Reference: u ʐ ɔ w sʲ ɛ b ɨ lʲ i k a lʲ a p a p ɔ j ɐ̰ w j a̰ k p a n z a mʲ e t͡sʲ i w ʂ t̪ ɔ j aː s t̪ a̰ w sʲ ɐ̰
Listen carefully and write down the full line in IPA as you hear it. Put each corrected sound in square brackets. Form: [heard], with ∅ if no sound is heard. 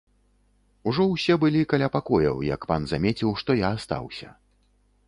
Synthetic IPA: u ʐ ɔ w sʲ ɛ b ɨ lʲ i k a lʲ a p a [k] ɔ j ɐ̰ w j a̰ k p a n z a mʲ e t͡sʲ i w ʂ t̪ ɔ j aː s t̪ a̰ w sʲ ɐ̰